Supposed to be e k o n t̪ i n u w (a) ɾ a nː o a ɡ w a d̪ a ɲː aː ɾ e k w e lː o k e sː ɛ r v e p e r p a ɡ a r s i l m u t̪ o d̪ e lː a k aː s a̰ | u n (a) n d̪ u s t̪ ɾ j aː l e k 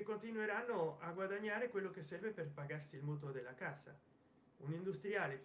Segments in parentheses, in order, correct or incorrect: incorrect: e, incorrect: i

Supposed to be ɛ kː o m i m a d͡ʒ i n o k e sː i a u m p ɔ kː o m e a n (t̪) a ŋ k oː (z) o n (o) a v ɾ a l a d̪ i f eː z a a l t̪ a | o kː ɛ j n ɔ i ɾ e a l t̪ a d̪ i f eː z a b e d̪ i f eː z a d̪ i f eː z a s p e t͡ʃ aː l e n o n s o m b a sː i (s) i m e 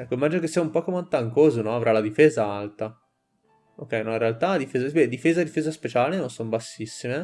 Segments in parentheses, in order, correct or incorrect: correct, correct, incorrect: ɔ, incorrect: sː

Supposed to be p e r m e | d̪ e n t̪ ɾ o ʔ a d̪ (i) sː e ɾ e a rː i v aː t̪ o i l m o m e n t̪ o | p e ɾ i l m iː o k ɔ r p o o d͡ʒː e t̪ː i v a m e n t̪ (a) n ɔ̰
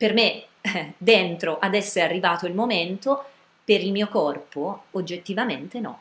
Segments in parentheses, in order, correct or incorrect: incorrect: ɛ, incorrect: e

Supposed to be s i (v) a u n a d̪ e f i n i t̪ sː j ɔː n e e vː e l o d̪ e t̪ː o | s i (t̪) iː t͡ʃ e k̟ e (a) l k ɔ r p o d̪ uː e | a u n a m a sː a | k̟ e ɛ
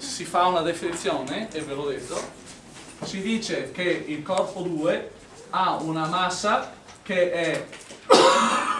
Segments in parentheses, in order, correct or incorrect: incorrect: f, incorrect: d̪, incorrect: i

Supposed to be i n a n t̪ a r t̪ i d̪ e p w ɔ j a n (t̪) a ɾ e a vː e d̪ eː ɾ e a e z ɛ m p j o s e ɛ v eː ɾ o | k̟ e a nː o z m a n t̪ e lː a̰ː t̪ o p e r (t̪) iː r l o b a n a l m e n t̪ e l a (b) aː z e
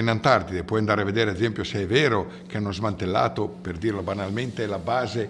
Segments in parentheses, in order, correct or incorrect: incorrect: d̪, incorrect: d̪, correct

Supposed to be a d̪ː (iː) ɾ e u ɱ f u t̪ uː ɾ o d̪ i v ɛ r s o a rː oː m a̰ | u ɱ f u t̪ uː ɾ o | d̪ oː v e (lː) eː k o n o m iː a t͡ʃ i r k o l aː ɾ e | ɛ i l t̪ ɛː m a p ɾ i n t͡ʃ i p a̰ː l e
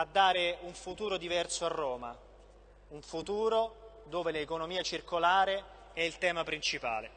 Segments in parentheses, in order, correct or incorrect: incorrect: aː, incorrect: l

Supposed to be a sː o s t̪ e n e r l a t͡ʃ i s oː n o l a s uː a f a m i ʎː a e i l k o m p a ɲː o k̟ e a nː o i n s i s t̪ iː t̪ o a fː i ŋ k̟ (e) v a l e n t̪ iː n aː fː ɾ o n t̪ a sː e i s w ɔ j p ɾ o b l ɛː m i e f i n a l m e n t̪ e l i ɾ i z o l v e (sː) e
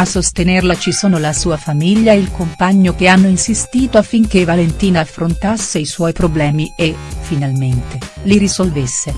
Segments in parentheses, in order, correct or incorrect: correct, correct

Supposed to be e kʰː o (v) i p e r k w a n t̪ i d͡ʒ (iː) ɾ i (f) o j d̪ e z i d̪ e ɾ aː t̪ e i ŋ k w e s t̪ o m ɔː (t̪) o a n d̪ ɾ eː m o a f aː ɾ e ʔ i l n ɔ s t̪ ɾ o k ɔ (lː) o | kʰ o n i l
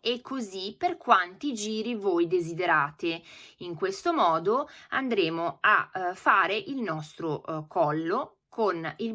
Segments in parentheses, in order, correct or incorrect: incorrect: z, correct, incorrect: v, incorrect: d̪, correct

